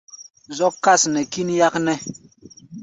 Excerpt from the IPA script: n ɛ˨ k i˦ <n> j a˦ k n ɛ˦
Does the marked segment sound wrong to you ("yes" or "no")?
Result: no